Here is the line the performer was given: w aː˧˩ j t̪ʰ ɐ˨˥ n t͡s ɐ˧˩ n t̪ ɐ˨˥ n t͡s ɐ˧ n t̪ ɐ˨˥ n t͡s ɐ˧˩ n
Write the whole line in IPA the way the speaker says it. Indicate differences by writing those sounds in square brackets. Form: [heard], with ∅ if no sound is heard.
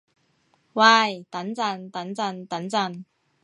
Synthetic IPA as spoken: w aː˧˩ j [t̪] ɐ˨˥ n t͡s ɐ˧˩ n t̪ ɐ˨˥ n t͡s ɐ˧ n t̪ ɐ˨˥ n t͡s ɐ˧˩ n